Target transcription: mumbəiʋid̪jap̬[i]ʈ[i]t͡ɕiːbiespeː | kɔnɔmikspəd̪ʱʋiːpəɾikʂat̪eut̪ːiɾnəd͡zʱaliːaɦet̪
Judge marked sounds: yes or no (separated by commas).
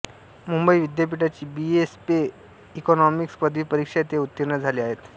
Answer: yes, no